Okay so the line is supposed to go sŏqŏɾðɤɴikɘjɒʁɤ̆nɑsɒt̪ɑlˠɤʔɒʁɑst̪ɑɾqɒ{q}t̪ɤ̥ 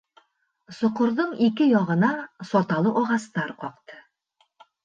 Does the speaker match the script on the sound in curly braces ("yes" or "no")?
yes